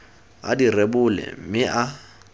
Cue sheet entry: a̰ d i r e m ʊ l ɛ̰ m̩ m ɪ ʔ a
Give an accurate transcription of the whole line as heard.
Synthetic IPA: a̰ d i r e b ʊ l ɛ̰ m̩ m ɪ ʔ a